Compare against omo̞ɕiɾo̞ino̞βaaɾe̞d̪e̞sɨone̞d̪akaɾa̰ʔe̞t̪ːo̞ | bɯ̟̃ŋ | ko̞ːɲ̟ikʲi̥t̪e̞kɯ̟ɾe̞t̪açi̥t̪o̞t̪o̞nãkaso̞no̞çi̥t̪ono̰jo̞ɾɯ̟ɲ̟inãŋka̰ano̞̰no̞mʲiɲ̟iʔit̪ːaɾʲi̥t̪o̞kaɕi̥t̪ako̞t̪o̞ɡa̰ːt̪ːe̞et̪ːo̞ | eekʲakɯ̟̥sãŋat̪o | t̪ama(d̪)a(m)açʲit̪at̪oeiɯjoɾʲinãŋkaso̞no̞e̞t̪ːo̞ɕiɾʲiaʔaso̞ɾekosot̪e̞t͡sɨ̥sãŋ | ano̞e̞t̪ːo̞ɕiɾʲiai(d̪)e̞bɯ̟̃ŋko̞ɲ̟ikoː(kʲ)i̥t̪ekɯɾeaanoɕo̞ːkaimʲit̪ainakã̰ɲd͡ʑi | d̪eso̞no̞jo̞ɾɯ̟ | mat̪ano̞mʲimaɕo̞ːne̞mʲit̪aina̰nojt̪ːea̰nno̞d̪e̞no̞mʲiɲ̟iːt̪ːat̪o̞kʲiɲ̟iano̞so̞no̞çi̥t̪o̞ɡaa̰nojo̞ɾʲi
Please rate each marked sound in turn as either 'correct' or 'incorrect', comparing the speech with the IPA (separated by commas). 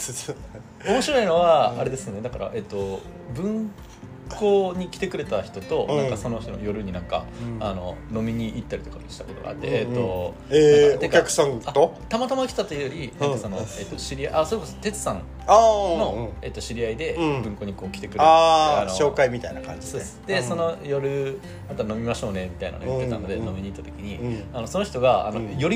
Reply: incorrect, correct, correct, correct